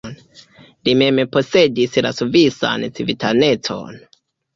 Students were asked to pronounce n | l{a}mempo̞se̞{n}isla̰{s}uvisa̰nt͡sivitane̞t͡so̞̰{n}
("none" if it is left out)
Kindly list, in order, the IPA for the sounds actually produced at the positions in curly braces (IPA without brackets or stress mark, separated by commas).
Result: i, d, s, n